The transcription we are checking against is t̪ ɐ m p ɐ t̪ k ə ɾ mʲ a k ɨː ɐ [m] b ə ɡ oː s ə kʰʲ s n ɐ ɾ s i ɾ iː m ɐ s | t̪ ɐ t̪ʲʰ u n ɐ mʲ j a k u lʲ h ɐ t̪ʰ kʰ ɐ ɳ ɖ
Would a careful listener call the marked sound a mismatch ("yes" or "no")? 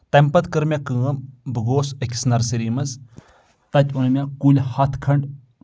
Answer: no